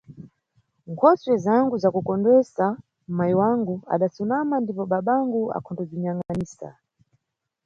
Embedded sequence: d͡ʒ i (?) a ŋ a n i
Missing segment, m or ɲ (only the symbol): ɲ